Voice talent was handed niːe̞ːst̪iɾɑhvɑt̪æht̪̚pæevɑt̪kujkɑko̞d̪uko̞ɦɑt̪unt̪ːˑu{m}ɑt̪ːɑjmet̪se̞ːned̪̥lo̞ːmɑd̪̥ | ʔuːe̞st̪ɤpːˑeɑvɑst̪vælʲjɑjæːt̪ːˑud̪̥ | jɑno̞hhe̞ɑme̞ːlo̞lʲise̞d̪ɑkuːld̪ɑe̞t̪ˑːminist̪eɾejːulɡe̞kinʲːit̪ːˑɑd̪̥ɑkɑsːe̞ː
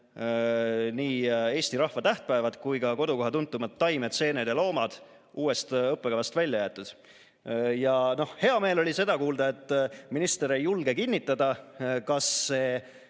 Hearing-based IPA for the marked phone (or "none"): m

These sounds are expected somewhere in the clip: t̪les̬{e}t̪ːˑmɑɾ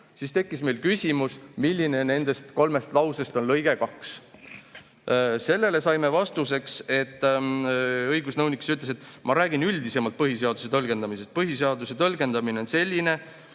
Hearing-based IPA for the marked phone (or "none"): e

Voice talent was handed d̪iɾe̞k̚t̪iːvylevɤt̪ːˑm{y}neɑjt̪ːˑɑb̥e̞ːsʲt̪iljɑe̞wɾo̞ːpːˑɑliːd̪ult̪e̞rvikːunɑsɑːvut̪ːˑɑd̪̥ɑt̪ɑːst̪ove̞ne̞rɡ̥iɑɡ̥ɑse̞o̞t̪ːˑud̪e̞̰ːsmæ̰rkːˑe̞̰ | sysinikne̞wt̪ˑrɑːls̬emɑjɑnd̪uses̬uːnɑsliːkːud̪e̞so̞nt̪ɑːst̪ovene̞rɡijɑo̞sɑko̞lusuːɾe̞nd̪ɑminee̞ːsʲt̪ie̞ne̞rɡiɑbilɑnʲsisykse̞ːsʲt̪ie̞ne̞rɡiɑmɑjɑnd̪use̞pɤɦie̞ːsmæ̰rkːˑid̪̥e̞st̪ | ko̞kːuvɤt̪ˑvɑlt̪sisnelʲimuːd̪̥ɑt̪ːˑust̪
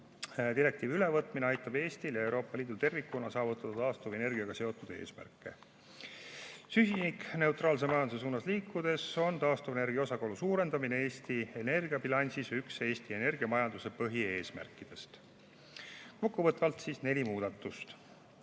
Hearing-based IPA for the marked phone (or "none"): i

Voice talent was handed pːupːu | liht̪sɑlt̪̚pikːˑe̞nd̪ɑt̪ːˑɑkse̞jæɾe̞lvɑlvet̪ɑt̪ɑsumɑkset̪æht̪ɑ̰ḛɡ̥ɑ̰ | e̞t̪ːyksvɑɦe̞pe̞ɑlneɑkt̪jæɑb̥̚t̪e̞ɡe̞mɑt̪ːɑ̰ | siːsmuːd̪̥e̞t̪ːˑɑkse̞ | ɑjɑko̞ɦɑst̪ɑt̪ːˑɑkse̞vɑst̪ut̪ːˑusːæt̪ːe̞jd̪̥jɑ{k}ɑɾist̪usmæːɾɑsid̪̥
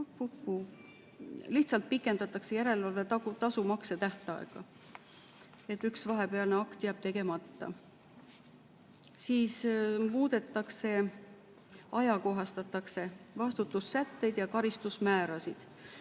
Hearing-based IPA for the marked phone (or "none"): k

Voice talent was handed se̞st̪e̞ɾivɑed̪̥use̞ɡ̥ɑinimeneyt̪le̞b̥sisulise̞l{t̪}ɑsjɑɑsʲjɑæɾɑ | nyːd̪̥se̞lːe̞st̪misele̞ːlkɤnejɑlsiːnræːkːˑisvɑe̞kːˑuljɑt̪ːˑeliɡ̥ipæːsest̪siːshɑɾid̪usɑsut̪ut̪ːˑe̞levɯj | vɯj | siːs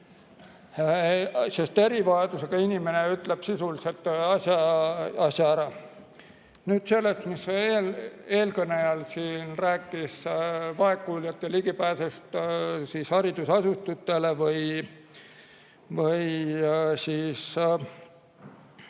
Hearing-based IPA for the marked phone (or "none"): t̪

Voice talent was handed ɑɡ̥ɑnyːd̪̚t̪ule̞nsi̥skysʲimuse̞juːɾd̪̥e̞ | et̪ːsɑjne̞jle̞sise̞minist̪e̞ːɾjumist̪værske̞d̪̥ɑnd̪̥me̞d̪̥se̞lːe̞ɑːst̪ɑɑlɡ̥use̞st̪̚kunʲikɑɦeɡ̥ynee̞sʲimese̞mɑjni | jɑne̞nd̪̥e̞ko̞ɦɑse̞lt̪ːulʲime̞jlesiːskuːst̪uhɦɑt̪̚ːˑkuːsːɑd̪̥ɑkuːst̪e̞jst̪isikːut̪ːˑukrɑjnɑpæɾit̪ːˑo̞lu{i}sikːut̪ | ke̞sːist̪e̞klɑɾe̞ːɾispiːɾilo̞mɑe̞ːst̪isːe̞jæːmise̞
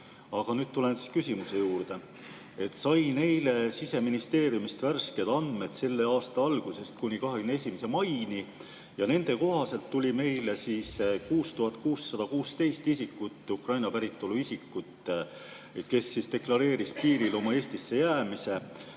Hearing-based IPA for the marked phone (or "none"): i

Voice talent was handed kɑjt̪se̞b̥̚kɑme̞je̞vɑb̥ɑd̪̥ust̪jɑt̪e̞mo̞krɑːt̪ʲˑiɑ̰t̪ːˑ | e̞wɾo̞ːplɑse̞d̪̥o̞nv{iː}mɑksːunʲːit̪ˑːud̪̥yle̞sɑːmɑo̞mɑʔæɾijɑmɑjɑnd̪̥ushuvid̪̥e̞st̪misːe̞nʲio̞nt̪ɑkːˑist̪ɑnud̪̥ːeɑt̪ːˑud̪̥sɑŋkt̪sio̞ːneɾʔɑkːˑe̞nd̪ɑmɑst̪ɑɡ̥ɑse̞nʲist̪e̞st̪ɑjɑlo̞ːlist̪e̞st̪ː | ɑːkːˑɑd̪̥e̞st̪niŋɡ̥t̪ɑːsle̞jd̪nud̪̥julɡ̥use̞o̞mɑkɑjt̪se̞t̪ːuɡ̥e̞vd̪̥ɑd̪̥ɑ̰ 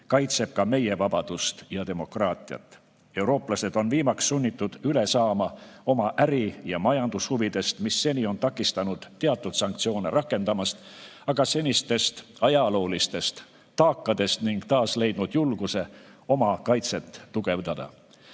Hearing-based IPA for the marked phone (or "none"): iː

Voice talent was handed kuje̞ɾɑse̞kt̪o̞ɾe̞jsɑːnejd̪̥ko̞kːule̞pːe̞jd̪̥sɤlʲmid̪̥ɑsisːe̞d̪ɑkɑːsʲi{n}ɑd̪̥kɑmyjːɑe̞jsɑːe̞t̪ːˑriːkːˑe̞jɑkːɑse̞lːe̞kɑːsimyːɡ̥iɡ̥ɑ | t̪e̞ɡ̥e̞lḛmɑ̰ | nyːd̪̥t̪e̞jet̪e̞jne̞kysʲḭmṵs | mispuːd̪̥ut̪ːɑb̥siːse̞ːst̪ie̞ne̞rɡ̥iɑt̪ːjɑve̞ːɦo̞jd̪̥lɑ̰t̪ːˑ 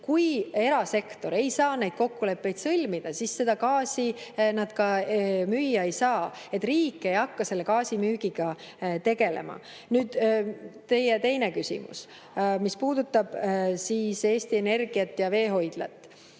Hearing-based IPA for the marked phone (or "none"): n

